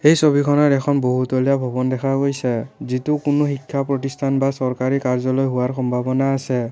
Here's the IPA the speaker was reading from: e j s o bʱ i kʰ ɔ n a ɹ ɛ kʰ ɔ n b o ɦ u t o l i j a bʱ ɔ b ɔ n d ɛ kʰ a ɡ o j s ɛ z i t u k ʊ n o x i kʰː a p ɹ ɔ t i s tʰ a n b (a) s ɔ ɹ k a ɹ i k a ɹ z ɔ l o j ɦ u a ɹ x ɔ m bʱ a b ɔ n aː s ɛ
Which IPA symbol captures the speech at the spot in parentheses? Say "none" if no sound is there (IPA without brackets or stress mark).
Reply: a